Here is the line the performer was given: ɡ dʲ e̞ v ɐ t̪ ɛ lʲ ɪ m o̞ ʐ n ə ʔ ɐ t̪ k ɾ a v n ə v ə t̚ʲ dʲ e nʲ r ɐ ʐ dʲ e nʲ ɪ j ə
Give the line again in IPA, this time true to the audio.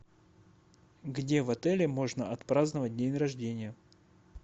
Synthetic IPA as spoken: ɡ dʲ e̞ v ɐ t̪ ɛ lʲ ɪ m o̞ ʐ n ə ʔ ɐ t̪ p ɾ a z n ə v ə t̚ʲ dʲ e nʲ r ɐ ʐ dʲ e nʲ ɪ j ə